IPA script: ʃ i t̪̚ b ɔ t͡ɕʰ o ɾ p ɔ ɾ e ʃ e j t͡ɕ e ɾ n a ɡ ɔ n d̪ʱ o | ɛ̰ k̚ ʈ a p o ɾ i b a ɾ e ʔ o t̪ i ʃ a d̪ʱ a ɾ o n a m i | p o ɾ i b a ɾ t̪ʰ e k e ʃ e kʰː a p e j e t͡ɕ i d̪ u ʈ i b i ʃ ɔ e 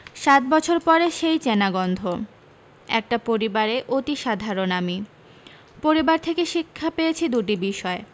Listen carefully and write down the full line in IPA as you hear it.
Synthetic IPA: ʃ a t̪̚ b ɔ t͡ɕʰ o ɾ p ɔ ɾ e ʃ e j t͡ɕ e n a ɡ ɔ n d̪ʱ o | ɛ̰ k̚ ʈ a p o ɾ i b a ɾ e ʔ o t̪ i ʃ a d̪ʱ a ɾ o n a m i | p o ɾ i b a ɾ t̪ʰ e k e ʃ i kʰː a p e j e t͡ɕʰ i d̪ u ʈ i b i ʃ ɔ e